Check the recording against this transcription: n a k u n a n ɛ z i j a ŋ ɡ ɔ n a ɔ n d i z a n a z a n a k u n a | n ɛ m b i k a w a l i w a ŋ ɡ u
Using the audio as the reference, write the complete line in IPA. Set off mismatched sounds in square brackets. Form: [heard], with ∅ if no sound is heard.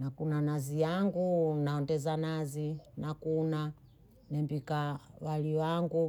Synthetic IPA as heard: n a k u n a n [a] z i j a ŋ ɡ [u] n a ɔ n d [ɛ] z a n a z [i] n a k u n a | n ɛ m b i k a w a l i w a ŋ ɡ u